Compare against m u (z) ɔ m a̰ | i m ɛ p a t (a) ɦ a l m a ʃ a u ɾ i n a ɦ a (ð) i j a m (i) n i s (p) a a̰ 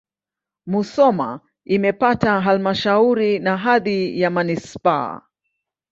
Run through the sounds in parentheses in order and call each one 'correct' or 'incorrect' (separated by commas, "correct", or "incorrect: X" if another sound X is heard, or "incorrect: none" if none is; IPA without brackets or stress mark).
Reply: incorrect: s, correct, correct, incorrect: a, correct